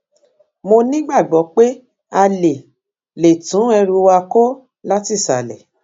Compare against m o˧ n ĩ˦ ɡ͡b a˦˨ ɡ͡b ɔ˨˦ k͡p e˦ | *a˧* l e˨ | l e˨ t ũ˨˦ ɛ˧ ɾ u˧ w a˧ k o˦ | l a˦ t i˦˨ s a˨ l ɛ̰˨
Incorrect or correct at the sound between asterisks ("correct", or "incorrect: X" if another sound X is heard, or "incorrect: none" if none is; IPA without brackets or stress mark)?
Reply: correct